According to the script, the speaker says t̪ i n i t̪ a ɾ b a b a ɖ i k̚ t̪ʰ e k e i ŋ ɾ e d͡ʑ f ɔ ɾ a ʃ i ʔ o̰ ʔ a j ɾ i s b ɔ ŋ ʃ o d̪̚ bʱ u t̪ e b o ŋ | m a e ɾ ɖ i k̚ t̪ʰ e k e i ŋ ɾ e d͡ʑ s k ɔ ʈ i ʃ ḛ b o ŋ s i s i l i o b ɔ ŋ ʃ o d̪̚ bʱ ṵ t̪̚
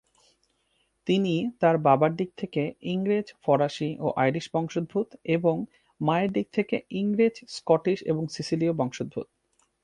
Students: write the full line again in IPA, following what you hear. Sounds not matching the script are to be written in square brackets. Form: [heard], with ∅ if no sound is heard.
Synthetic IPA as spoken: t̪ i n i t̪ a ɾ b a b a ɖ i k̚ t̪ʰ e k e i ŋ ɾ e d͡ʑ f ɔ ɾ a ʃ i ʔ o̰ ʔ a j ɾ i [ʃ] b ɔ ŋ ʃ o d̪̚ bʱ u t̪ e b o ŋ | m a e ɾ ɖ i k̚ t̪ʰ e k e i ŋ ɾ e d͡ʑ s k ɔ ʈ i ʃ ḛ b o ŋ s i s i l i o b ɔ ŋ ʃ o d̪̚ bʱ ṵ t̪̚